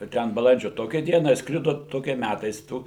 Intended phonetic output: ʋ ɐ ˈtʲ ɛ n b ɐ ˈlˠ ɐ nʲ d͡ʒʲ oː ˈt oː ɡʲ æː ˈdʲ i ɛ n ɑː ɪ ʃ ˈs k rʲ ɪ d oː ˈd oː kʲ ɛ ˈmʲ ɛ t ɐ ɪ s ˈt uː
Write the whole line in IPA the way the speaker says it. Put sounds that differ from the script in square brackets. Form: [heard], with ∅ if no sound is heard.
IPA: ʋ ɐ ˈtʲ ɛ n b ɐ ˈlˠ ɐ nʲ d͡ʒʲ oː ˈt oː [kʲ] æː ˈdʲ i ɛ n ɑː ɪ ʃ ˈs k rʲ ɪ d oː [ˈt] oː kʲ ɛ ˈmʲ [æ] t ɐ ɪ s ˈt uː